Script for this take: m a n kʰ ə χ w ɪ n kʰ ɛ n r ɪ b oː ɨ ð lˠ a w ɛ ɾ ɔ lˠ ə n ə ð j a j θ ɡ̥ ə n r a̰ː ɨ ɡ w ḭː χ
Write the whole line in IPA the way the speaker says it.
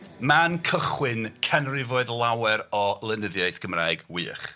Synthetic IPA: m a n kʰ ə χ w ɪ n kʰ ɛ n r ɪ v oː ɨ ð lˠ a w ɛ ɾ ɔ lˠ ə n ə ð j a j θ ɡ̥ ə m r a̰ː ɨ ɡ w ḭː χ